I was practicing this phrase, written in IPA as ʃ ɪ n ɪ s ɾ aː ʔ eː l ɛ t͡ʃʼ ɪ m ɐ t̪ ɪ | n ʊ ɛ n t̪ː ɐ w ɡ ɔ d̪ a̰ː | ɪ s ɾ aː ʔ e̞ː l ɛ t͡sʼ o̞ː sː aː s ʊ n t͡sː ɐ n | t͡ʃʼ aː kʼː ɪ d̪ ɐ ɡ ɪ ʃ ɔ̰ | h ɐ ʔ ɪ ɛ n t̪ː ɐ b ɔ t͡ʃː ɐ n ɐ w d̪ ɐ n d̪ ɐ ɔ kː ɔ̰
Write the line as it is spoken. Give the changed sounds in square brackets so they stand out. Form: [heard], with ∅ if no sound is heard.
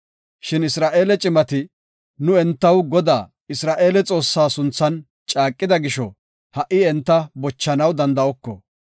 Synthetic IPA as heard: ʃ ɪ n ɪ s ɾ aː ʔ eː l ɛ t͡ʃʼ ɪ m ɐ t̪ ɪ | n ʊ ɛ n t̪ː ɐ w ɡ ɔ d̪ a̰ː | ɪ s ɾ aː ʔ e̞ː l ɛ t͡sʼ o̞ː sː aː s ʊ n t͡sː ɐ n | t͡ʃʼ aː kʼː ɪ d̪ ɐ ɡ ɪ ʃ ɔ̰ | h ɐ ʔ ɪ ɛ n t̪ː ɐ b ɔ t͡ʃː ɐ n ɐ w d̪ ɐ n d̪ ɐ ɔ kː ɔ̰

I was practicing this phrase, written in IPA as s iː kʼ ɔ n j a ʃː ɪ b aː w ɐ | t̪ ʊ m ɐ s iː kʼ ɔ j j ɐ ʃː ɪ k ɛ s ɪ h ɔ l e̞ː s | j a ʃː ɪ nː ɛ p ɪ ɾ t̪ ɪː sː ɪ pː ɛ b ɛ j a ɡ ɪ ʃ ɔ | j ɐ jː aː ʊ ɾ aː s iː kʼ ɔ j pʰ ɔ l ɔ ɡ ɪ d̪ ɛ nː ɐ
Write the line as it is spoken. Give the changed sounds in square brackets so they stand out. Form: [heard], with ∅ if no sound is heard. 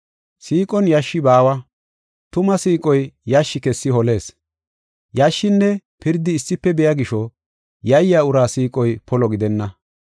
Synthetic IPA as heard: s iː kʼ ɔ n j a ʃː ɪ b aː w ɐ | t̪ ʊ m ɐ s iː kʼ ɔ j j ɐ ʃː ɪ k ɛ [sː] ɪ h ɔ l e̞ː s | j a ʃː ɪ nː ɛ p ɪ ɾ [d̪] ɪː sː ɪ pː ɛ b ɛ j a ɡ ɪ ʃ ɔ | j ɐ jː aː ʊ ɾ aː s iː kʼ ɔ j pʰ ɔ l ɔ ɡ ɪ d̪ ɛ nː ɐ

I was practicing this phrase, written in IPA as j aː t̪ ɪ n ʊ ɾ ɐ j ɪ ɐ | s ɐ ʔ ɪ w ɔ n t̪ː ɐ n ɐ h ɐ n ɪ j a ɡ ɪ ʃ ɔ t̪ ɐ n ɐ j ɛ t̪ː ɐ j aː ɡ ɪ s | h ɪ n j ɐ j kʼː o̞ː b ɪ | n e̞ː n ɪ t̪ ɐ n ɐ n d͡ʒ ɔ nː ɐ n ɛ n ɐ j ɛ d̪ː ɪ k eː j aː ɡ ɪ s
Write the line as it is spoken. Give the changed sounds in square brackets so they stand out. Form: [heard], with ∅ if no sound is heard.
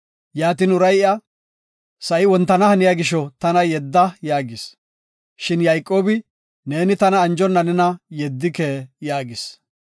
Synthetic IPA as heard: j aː t̪ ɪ n ʊ ɾ ɐ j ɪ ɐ | s ɐ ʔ ɪ w ɔ n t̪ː ɐ n ɐ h ɐ n ɪ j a ɡ ɪ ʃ ɔ t̪ ɐ n ɐ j ɛ [d̪ː] ɐ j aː ɡ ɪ s | [ʃ] ɪ n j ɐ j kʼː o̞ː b ɪ | n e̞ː n ɪ t̪ ɐ n [ɐː] n d͡ʒ ɔ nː ɐ n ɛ n ɐ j ɛ d̪ː ɪ k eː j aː ɡ ɪ s

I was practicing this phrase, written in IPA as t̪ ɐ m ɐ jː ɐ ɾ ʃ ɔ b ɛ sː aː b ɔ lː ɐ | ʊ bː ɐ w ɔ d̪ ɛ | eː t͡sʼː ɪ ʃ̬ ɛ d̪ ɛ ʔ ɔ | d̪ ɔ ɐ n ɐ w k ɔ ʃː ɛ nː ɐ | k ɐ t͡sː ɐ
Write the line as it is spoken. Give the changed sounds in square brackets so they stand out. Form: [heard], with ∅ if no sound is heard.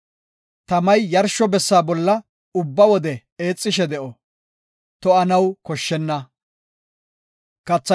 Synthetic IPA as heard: t̪ ɐ m ɐ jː ɐ ɾ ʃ ɔ b ɛ sː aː b ɔ lː ɐ | ʊ bː ɐ w ɔ d̪ ɛ | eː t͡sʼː ɪ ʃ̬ ɛ d̪ ɛ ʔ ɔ | [t̪] ɔ ɐ n ɐ w k ɔ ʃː ɛ nː ɐ | k ɐ t͡sː ɐ

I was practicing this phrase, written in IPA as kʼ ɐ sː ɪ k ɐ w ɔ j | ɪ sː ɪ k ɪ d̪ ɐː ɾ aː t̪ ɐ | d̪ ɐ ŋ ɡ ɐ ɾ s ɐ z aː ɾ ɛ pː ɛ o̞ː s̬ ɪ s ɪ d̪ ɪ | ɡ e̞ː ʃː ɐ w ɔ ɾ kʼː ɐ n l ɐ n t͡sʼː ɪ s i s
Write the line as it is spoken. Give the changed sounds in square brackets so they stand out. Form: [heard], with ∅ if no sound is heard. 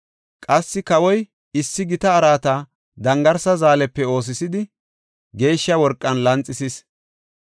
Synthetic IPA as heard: kʼ ɐ sː ɪ k ɐ w ɔ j | ɪ sː ɪ [ɡ] ɪ [t̪] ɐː ɾ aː t̪ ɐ | d̪ ɐ ŋ ɡ ɐ ɾ s ɐ z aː [l] ɛ pː ɛ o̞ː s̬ ɪ s ɪ d̪ ɪ | ɡ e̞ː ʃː ɐ w ɔ ɾ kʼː ɐ n l ɐ n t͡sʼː ɪ s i s

